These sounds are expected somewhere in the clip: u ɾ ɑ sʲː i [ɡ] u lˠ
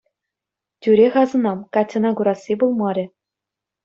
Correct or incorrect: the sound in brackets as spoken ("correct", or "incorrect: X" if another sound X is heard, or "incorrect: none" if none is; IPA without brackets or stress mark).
incorrect: b